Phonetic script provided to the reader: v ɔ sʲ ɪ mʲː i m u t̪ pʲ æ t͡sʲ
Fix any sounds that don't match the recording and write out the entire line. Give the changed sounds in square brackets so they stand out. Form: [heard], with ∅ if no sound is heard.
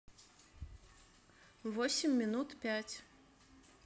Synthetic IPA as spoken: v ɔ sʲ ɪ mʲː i [n] u t̪ pʲ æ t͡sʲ